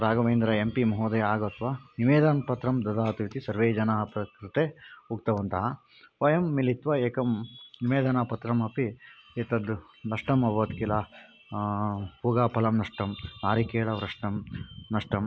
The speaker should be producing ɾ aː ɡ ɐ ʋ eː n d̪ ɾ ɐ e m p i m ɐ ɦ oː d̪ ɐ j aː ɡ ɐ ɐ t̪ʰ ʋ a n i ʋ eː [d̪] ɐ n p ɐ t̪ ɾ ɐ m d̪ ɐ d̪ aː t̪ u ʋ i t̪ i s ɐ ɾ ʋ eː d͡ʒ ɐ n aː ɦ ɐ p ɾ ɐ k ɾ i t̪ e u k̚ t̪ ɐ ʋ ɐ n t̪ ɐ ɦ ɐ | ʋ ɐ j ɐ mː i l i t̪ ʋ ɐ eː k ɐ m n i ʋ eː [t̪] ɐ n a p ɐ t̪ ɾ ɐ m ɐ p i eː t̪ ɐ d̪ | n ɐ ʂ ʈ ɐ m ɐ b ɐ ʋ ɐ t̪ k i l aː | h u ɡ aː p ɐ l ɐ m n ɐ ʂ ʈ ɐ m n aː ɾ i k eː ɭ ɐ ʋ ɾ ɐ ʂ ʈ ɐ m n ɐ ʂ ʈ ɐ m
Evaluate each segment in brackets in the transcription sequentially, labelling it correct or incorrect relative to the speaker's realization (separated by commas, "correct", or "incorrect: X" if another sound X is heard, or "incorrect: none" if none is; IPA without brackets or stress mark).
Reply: correct, incorrect: d̪